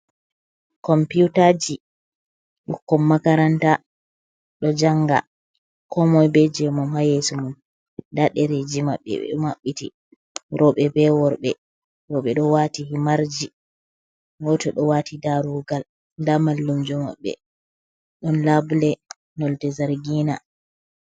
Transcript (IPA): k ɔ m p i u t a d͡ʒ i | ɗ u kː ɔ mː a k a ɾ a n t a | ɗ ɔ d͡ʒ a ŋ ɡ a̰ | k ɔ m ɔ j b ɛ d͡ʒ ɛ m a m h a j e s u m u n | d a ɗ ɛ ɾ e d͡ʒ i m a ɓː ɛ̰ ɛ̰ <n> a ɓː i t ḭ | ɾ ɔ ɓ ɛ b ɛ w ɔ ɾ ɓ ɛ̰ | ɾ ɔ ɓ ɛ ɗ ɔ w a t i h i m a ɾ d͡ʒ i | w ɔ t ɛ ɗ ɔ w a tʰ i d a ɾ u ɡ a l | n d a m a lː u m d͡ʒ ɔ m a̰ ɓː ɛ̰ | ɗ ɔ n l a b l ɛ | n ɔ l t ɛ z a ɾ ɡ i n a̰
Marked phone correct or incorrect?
incorrect